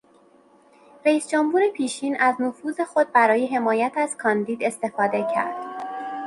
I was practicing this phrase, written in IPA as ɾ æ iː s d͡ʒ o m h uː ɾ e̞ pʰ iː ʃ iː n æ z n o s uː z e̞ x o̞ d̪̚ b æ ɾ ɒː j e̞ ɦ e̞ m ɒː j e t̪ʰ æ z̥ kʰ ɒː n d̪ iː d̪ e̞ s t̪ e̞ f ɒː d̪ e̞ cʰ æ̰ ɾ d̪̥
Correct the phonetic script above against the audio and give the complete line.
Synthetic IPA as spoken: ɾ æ iː s d͡ʒ o m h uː ɾ e̞ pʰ iː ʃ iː n æ z n o f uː z e̞ x o̞ d̪̚ b æ ɾ ɒː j e̞ ɦ e̞ m ɒː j æ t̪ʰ æ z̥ kʰ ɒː n d̪ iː d̪ e̞ s t̪ e̞ f ɒː d̪ e̞ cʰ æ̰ ɾ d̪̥